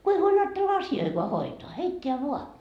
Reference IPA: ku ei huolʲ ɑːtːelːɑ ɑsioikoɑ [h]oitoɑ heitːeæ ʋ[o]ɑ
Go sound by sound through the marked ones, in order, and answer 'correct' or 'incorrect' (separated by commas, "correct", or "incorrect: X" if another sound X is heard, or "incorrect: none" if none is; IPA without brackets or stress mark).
correct, incorrect: u